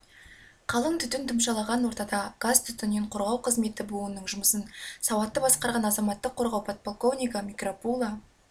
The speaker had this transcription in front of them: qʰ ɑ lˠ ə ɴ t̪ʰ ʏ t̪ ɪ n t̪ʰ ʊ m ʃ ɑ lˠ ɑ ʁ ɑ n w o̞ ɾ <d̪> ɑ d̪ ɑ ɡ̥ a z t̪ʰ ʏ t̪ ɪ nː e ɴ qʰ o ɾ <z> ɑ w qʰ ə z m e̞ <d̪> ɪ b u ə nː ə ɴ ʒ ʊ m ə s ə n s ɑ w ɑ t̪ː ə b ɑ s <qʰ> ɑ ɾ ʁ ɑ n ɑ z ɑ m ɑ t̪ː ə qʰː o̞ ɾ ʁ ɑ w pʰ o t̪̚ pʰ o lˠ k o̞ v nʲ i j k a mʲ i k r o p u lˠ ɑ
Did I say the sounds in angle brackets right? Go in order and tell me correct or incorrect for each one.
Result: incorrect: t̪, incorrect: ʁ, incorrect: t̪, incorrect: q

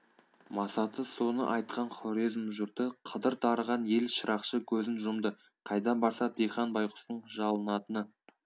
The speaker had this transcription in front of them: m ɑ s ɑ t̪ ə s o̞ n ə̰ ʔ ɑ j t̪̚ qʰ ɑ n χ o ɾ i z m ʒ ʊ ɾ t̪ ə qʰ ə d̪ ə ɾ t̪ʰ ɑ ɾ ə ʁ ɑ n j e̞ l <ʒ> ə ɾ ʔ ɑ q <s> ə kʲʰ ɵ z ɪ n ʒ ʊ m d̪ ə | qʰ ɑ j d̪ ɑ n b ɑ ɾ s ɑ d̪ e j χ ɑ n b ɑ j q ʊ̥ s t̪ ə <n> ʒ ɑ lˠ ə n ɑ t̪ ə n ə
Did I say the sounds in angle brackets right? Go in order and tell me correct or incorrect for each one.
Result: incorrect: ʃ, incorrect: ʃ, incorrect: ɴ

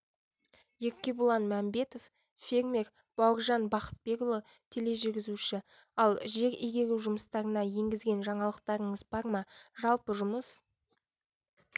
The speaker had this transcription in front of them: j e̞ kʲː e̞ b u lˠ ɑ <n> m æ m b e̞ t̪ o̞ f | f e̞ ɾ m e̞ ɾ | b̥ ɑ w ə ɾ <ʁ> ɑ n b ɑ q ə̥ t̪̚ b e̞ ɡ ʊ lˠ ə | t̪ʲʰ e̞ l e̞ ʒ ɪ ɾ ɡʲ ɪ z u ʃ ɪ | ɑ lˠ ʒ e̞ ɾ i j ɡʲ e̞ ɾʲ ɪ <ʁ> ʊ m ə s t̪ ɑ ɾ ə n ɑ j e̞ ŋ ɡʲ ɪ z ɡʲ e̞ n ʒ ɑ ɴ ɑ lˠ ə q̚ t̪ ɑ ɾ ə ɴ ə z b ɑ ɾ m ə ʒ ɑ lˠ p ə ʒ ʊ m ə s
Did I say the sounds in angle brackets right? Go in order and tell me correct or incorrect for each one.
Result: correct, incorrect: ʒ, incorrect: ʒ

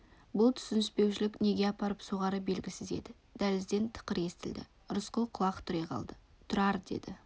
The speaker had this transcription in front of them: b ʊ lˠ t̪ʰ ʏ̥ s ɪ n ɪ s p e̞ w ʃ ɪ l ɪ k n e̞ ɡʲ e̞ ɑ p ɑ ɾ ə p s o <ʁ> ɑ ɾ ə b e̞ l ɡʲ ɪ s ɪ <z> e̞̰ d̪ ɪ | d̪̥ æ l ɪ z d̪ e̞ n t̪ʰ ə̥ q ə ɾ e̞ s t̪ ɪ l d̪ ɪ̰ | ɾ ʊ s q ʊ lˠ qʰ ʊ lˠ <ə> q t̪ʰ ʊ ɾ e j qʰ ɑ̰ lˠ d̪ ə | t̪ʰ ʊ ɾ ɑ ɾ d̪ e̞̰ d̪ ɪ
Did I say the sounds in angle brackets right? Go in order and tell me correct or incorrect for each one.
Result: correct, correct, incorrect: ɑ

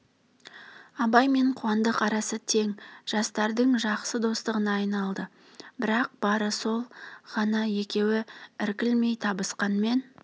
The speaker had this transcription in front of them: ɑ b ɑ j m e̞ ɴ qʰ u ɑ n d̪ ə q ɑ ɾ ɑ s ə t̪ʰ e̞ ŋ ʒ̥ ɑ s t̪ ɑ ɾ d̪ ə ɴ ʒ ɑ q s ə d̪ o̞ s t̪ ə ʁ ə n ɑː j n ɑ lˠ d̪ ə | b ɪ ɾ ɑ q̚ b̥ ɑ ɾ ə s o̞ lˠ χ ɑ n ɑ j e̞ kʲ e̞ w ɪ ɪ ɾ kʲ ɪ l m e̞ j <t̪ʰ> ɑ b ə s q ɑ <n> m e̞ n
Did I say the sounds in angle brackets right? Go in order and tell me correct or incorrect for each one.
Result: correct, correct

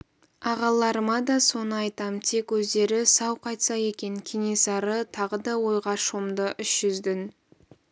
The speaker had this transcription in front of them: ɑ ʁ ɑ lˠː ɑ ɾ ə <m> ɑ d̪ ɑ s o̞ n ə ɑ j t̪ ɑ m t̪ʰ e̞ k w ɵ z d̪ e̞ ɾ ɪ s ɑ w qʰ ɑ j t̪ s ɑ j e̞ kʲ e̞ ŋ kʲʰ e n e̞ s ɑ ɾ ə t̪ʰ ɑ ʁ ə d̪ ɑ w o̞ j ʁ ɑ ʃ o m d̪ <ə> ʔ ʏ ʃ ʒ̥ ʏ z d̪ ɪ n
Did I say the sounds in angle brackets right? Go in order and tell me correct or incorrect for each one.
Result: correct, correct

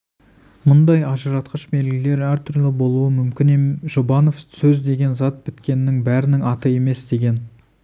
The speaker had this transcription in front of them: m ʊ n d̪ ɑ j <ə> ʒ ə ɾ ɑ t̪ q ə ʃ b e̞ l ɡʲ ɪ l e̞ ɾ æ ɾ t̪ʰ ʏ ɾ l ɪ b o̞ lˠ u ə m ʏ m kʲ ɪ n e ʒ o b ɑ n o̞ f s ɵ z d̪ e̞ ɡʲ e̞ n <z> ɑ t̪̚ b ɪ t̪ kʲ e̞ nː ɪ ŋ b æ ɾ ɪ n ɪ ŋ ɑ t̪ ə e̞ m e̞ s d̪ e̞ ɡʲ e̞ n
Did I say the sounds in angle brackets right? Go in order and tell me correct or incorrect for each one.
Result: incorrect: ɑ, correct

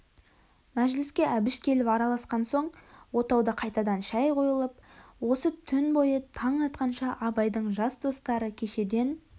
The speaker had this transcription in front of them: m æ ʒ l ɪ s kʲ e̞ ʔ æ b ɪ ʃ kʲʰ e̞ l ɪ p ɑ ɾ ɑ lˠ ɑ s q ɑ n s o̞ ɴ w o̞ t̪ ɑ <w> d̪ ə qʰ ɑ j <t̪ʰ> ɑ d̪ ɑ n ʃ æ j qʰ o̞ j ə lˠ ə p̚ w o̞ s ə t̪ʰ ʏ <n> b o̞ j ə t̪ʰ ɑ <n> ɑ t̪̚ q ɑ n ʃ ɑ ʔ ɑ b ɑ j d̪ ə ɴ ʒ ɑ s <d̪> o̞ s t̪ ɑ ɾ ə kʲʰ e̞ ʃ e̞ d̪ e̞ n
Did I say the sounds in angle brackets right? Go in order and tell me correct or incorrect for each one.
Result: correct, incorrect: t̪, correct, incorrect: ɴ, correct

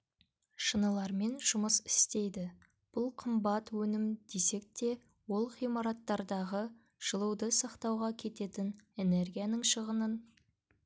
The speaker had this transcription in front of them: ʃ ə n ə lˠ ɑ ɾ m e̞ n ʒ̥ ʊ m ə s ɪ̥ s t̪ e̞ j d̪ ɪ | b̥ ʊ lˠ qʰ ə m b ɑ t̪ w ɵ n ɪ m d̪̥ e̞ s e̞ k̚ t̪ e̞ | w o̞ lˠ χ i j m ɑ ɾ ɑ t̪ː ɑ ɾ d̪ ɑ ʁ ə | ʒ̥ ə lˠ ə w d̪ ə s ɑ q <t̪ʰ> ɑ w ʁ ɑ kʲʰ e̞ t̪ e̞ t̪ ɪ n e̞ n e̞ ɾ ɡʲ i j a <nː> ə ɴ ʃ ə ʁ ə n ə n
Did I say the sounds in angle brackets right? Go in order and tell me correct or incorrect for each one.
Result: incorrect: t̪, incorrect: n

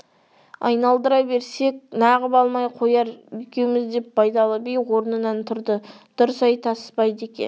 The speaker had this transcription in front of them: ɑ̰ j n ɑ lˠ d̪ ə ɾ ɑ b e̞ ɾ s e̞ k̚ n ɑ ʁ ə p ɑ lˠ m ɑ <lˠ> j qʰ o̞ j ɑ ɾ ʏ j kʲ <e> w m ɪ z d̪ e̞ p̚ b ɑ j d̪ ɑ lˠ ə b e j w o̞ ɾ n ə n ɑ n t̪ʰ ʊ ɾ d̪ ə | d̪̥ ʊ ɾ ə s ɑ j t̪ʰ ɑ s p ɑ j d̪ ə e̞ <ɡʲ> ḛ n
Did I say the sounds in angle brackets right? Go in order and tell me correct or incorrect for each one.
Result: incorrect: none, correct, incorrect: kʲ

